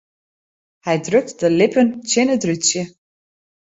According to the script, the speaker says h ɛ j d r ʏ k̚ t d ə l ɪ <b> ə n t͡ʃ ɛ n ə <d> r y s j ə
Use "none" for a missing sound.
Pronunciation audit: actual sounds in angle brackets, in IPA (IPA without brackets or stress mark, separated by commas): p, d